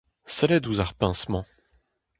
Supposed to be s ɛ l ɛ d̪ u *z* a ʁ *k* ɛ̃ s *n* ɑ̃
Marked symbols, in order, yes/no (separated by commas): yes, no, no